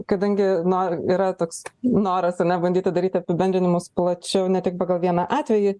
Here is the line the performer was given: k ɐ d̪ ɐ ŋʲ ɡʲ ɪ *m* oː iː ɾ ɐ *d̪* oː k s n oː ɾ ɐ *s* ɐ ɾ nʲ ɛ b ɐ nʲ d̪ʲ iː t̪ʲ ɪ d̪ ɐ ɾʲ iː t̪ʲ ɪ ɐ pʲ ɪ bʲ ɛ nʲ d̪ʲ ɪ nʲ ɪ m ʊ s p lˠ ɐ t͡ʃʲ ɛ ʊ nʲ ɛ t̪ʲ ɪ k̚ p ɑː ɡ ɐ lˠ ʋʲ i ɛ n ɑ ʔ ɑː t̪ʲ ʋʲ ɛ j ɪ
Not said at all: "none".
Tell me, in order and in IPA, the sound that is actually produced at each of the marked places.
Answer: n, t̪, s

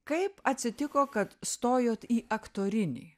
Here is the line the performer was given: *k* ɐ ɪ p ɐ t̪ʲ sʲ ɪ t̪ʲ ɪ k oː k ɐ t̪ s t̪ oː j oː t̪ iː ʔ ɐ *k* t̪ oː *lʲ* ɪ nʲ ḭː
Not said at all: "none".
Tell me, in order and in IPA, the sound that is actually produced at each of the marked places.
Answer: k, k, ɾʲ

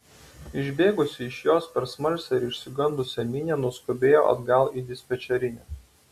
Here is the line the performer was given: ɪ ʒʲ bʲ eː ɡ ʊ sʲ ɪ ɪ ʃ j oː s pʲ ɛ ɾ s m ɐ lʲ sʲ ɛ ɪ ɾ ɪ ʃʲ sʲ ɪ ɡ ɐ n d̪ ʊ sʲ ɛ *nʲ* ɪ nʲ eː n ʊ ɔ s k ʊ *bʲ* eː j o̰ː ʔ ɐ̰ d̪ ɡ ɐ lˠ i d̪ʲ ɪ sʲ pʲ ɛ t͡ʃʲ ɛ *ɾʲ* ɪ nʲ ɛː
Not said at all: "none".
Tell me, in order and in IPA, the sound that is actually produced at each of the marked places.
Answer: mʲ, bʲ, ɾʲ

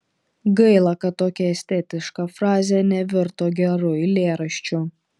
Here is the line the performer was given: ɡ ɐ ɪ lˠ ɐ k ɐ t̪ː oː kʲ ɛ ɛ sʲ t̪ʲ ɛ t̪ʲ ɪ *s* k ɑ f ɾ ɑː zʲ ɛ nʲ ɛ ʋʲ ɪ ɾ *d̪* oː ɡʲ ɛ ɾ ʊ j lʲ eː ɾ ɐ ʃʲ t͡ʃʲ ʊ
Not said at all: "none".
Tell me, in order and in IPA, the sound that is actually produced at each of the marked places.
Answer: ʃ, t̪

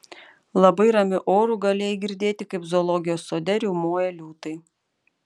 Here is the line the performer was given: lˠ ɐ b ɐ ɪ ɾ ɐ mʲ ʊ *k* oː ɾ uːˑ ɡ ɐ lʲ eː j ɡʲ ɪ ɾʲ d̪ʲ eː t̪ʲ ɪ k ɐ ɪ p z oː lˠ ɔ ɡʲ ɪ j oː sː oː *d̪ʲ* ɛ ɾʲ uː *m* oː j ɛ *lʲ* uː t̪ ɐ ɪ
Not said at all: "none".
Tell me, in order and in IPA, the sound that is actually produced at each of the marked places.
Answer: ʔ, d̪ʲ, m, lʲ

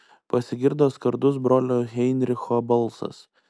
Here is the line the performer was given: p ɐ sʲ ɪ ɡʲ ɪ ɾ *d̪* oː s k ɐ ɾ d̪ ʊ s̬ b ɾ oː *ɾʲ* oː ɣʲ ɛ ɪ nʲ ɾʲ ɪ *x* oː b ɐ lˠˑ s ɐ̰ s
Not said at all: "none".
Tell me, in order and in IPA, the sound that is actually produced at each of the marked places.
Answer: d̪, lʲ, x

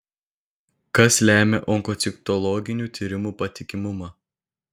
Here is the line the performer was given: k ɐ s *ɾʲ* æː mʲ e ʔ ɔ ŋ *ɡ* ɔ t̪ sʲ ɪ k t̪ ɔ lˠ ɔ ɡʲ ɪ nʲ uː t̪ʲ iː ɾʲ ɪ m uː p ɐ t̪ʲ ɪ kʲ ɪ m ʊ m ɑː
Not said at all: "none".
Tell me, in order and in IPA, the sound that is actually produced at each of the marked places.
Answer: lʲ, k

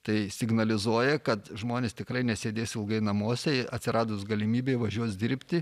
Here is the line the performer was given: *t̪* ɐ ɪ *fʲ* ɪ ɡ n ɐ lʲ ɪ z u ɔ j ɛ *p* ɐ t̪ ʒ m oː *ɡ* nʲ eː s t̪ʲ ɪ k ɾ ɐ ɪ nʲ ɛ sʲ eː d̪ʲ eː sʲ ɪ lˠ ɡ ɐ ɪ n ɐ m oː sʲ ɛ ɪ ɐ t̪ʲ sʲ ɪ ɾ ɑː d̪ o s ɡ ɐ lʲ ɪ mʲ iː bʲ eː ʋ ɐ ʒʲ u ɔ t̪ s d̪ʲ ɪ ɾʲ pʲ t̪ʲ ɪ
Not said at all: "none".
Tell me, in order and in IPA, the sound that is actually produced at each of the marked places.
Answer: t̪, sʲ, k, none

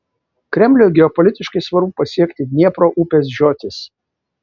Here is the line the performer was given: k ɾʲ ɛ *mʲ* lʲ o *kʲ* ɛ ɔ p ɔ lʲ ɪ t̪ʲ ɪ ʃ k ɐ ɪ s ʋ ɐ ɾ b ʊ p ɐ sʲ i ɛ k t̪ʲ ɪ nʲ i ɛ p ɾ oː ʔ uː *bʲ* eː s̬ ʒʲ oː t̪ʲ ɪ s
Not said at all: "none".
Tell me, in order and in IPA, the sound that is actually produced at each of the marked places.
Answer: mʲ, ɡʲ, pʲ

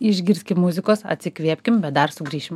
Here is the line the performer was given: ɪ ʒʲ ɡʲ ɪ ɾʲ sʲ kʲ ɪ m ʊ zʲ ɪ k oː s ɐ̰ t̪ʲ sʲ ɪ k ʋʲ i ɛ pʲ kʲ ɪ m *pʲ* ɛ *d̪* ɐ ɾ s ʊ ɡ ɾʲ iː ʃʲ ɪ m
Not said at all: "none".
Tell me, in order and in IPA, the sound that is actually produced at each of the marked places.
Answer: bʲ, d̪

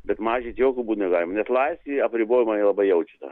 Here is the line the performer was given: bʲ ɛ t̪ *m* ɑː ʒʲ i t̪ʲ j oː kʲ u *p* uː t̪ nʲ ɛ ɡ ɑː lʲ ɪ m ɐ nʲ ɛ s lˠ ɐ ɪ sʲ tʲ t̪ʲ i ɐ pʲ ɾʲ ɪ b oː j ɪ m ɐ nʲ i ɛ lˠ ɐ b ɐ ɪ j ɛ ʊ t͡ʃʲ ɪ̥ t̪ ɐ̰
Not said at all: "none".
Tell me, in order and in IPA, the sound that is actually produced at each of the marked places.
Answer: m, b

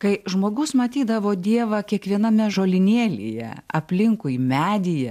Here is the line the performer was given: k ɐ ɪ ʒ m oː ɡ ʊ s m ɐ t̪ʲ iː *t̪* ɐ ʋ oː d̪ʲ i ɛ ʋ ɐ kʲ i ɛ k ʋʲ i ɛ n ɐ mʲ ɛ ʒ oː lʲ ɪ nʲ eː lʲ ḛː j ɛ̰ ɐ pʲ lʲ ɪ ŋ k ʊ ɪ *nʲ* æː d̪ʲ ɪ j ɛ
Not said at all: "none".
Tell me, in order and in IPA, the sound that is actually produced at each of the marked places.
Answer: d̪, mʲ

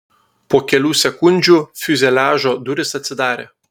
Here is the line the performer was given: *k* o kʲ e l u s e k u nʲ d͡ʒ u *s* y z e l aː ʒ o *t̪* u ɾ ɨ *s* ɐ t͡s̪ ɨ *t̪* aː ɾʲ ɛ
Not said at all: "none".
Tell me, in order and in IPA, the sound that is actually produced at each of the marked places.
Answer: p, f, d̪, s, d̪

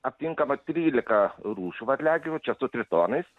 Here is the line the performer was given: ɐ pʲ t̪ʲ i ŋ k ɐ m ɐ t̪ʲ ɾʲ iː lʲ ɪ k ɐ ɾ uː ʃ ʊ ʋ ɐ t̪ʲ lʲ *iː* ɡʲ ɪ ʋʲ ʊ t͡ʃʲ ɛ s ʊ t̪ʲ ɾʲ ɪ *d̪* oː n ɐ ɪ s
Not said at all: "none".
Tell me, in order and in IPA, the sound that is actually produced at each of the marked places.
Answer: æː, t̪

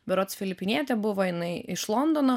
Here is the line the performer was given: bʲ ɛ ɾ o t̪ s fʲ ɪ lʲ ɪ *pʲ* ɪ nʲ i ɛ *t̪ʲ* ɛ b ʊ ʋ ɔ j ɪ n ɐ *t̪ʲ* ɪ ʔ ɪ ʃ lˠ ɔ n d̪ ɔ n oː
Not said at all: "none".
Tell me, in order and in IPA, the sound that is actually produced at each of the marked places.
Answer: pʲ, t̪ʲ, none

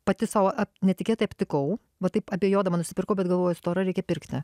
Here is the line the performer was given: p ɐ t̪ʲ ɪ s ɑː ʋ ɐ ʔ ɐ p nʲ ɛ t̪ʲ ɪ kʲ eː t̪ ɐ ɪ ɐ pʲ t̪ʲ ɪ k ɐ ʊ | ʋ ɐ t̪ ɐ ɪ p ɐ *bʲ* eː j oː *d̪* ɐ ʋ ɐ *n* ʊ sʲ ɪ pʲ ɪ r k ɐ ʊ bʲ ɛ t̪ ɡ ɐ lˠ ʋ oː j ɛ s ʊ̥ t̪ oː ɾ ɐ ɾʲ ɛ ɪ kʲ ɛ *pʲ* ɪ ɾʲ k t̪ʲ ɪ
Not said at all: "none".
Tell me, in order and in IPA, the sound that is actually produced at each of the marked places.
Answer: bʲ, d̪, n, pʲ

